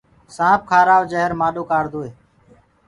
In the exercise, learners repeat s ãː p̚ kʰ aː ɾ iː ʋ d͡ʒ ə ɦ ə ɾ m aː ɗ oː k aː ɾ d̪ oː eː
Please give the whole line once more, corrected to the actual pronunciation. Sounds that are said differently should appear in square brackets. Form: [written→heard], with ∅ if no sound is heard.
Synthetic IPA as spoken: s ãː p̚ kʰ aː ɾ [iː→aː] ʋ d͡ʒ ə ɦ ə ɾ m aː ɗ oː k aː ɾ d̪ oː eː